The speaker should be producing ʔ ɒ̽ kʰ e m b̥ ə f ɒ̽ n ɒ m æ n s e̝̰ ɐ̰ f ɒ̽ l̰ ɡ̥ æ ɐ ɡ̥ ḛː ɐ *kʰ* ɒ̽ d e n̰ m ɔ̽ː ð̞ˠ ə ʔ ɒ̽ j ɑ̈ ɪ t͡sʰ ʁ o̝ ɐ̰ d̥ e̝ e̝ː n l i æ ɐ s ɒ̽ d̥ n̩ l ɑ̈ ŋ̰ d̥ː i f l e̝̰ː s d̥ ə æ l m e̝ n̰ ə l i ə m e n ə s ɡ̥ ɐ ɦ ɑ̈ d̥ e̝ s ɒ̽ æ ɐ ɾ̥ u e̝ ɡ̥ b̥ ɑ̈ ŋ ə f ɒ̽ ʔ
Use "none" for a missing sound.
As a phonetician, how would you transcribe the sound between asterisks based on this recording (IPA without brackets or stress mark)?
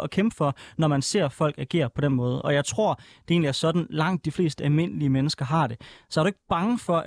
pʰ